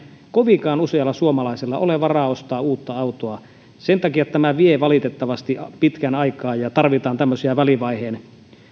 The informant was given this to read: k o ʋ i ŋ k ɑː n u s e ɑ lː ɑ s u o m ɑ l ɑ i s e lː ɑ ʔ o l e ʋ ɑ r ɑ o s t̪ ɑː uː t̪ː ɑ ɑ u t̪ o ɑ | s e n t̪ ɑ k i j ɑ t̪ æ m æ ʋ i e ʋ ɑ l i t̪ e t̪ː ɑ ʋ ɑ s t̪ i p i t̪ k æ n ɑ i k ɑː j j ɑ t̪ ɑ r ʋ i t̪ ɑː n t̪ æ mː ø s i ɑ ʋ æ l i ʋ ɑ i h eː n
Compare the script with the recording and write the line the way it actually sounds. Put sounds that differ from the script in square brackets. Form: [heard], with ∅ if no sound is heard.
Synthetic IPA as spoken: k o ʋ i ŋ k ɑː n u s e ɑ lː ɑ s u o m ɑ l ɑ i s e lː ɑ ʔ o l e ʋ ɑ r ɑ o s t̪ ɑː uː t̪ː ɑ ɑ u t̪ o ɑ | s e n t̪ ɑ k i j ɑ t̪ æ m æ ʋ i e ʋ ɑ l i t̪ e t̪ː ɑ ʋ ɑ s t̪ i p i t̪ k æ n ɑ i k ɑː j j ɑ t̪ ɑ r ʋ i t̪ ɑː n t̪ æ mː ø s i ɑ ʋ æ l i ʋ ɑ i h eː n